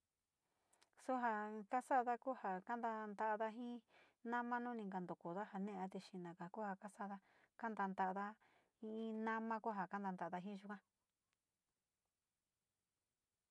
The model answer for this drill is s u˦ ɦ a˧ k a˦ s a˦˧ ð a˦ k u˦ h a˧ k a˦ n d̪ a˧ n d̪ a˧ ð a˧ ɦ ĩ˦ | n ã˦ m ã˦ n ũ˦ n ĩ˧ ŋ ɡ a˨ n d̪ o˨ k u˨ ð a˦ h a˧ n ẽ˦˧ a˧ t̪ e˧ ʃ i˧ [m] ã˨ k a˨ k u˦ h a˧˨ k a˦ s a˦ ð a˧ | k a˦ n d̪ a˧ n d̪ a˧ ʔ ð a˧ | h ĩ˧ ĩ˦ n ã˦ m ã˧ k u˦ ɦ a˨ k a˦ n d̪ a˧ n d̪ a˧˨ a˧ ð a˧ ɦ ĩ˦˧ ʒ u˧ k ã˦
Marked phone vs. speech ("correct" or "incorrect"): incorrect